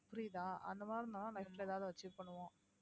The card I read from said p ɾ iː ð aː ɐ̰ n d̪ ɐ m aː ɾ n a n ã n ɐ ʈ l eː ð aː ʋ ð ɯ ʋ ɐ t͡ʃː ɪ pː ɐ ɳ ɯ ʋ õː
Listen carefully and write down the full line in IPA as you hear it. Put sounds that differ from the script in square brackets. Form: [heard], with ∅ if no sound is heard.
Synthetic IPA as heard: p ɾ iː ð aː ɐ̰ n d̪ ɐ m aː ɾ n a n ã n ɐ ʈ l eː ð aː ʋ ð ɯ ʋ ɐ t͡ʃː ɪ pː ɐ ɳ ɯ ʋ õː